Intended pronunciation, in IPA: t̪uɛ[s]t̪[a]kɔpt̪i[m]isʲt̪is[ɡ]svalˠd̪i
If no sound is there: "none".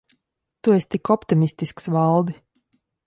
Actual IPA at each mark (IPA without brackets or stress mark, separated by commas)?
s, i, m, k